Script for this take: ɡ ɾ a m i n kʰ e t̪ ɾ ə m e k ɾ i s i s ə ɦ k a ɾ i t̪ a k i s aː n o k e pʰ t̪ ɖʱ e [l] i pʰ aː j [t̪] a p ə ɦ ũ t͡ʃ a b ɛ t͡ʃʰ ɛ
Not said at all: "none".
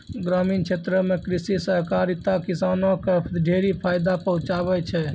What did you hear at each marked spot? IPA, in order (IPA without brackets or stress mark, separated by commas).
ɾ, d̪